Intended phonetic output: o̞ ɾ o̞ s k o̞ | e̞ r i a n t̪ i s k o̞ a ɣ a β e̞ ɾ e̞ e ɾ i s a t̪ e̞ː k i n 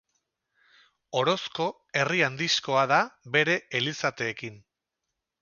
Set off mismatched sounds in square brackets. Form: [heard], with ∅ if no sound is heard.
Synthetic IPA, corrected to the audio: o̞ ɾ o̞ s k o̞ | e̞ r i a n [d̪] i s k o̞ a [ð] a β e̞ ɾ e̞ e [l] i s a t̪ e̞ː k i n